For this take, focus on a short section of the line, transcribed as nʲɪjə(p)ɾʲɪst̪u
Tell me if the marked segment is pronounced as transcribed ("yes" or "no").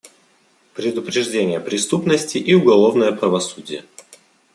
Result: yes